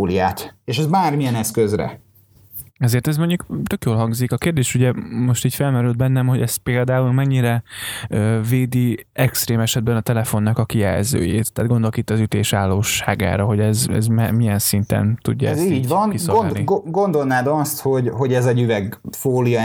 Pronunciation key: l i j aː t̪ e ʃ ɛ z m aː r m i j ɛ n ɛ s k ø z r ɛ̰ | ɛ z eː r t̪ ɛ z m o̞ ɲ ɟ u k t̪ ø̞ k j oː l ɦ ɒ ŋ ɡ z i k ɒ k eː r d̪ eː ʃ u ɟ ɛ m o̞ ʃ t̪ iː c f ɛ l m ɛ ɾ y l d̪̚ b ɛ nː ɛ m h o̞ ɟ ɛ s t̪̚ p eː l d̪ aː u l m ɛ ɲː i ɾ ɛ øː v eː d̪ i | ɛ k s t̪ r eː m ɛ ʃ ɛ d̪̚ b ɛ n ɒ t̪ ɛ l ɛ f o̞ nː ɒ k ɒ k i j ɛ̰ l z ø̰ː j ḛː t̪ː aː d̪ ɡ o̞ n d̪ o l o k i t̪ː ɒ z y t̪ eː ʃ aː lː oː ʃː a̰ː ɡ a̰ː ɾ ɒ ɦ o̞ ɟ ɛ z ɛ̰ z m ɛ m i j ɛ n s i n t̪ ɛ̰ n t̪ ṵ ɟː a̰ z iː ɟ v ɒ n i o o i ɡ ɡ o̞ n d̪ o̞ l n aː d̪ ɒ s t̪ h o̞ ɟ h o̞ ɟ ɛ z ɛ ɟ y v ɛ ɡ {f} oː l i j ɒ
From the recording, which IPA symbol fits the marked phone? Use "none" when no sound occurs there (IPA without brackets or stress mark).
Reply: f